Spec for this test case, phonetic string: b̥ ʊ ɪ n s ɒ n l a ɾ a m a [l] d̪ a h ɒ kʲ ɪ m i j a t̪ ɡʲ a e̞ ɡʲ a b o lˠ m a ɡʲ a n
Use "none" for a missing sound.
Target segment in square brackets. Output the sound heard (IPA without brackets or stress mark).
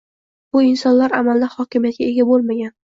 l